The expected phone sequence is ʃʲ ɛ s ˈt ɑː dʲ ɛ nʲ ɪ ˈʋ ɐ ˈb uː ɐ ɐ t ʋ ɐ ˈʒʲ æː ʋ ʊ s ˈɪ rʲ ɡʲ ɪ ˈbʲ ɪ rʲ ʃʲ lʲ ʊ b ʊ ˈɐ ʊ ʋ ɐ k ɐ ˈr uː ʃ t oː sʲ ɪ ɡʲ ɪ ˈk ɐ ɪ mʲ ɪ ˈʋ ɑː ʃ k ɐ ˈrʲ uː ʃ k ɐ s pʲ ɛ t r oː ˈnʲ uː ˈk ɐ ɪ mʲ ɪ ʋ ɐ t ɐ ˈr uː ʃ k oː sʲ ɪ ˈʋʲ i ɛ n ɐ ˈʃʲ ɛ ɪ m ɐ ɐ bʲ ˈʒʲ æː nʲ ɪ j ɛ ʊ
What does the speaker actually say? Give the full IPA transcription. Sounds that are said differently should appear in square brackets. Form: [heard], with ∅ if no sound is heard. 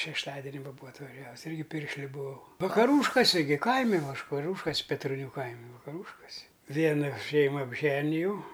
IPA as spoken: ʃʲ ɛ [ʃ] ˈt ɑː dʲ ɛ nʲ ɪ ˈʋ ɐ ˈb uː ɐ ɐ t ʋ ɐ ˈʒʲ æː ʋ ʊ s ˈɪ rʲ ɡʲ ɪ [ˈpʲ] ɪ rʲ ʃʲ lʲ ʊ b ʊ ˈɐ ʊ ʋ ɐ k ɐ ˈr uː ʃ [k] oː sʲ ɪ ɡʲ ɪ ˈk ɐ ɪ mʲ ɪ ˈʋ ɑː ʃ k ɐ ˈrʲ uː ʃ k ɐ s pʲ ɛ t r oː ˈnʲ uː ˈk ɐ ɪ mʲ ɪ ʋ ɐ [k] ɐ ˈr uː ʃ k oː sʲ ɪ ˈʋʲ i ɛ n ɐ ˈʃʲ ɛ ɪ m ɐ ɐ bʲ ˈʒʲ æː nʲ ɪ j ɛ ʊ